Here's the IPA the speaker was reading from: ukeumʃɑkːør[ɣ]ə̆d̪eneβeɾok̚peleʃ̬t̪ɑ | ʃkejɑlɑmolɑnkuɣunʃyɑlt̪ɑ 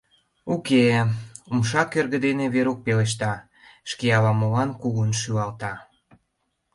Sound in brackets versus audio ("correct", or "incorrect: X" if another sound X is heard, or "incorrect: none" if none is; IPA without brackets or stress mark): correct